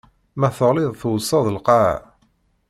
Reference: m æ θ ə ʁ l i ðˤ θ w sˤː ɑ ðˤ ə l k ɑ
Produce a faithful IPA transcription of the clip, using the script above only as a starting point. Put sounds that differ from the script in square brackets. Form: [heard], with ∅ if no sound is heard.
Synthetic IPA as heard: m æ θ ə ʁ l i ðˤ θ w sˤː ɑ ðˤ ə l [q] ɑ